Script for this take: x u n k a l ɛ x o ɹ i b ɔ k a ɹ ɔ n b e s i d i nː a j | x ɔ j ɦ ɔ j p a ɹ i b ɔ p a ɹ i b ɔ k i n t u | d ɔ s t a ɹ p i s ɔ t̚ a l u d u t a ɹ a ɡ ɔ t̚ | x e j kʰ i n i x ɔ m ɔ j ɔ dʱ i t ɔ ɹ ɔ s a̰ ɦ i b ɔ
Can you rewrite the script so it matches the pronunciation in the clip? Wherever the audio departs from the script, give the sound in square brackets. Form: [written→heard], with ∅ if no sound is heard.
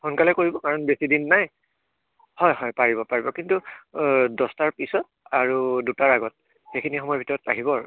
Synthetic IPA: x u n k a l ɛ [x→k] o ɹ i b ɔ k a ɹ ɔ n b e s i d i nː a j | [x→h] ɔ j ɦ ɔ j p a ɹ i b ɔ p a ɹ i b ɔ k i n t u | d ɔ s t a ɹ p i s ɔ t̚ a [l→ɹ] u d u t a ɹ a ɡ ɔ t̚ | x e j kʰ i n i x ɔ m ɔ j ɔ [dʱ→bʱ] i t ɔ ɹ ɔ [s→t] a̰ ɦ i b ɔ